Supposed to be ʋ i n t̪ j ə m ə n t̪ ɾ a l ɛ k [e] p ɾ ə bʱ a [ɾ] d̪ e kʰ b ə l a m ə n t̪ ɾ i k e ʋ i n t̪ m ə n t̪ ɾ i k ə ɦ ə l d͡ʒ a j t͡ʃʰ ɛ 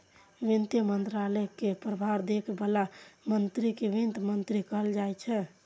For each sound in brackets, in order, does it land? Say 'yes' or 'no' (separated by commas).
yes, yes